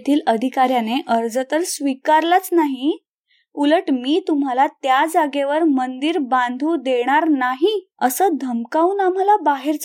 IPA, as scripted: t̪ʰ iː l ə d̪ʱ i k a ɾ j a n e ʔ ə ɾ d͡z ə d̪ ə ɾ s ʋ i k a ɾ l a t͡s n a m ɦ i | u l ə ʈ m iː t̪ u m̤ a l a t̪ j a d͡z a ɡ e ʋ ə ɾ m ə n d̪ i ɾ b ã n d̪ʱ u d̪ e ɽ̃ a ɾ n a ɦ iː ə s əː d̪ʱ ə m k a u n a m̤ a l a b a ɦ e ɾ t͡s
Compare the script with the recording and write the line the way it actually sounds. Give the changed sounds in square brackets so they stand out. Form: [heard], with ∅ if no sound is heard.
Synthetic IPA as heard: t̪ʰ iː l ə d̪ʱ i k a ɾ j a n e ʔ ə ɾ d͡z ə [t̪] ə ɾ s ʋ i k a ɾ l a t͡s n a [∅] ɦ i | u l ə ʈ m iː t̪ u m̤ a l a t̪ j a d͡z a ɡ e ʋ ə ɾ m ə n d̪ i ɾ b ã n d̪ʱ u d̪ e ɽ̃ a ɾ n a ɦ [i] ə s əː d̪ʱ ə m k a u n a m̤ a l a b a ɦ e ɾ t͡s